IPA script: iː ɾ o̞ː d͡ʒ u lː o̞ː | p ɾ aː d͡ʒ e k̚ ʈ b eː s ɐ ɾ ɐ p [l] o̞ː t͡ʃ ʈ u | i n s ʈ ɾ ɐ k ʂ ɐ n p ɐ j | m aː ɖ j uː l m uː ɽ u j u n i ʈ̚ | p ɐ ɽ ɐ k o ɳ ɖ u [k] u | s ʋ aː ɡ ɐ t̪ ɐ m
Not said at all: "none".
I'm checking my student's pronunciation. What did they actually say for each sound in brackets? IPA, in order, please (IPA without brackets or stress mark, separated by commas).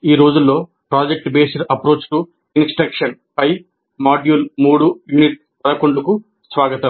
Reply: ɾ, k